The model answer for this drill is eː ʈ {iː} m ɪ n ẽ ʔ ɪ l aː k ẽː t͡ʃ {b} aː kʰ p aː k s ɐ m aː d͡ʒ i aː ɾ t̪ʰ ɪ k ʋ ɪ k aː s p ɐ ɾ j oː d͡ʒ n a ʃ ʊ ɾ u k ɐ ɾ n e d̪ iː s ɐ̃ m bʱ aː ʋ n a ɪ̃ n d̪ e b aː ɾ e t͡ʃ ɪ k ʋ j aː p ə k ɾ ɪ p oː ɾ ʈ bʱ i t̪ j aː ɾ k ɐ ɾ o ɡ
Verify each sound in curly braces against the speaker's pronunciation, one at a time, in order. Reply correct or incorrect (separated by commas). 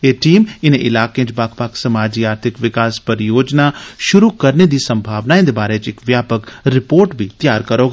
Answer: correct, correct